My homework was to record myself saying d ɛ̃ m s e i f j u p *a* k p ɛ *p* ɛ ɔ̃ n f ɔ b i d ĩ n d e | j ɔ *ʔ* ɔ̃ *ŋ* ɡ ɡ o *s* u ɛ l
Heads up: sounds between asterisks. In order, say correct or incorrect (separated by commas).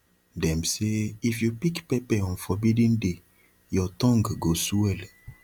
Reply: incorrect, correct, incorrect, correct, correct